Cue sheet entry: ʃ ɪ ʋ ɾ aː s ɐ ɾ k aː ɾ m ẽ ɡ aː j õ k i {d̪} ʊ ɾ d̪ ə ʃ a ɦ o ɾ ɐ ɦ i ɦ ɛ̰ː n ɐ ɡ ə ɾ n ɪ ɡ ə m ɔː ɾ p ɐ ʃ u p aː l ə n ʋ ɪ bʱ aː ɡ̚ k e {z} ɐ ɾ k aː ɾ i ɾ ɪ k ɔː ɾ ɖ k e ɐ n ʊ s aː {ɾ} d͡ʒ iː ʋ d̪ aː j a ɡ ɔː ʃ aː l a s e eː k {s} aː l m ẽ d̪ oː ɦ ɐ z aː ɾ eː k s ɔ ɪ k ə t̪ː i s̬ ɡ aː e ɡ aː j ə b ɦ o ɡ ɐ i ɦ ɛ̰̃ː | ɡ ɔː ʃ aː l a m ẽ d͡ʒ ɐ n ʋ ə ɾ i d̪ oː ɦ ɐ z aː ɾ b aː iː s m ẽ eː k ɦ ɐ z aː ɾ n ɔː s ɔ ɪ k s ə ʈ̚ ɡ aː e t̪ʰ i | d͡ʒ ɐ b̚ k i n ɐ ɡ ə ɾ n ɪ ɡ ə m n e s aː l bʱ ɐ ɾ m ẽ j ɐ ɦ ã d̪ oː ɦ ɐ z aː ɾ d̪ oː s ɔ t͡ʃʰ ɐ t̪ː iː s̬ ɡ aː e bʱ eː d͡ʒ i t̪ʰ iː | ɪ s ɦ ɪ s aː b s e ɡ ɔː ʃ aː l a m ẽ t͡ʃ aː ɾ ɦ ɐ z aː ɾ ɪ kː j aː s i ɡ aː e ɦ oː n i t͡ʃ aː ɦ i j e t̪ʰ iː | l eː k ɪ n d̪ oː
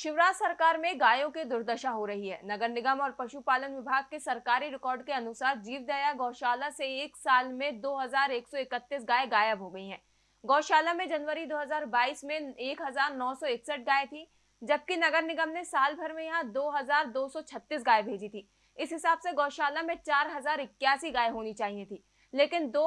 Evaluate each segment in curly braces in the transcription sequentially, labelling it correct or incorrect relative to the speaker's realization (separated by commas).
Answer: correct, incorrect, correct, correct